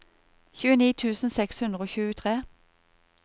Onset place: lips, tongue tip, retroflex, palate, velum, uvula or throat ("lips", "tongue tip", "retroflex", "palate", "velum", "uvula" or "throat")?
palate